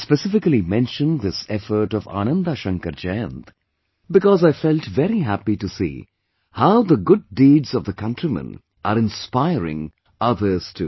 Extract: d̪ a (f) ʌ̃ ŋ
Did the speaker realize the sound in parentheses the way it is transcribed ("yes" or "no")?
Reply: no